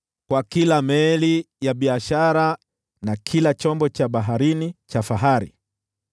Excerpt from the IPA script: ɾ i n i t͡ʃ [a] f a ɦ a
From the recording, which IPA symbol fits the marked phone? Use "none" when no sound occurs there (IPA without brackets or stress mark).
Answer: a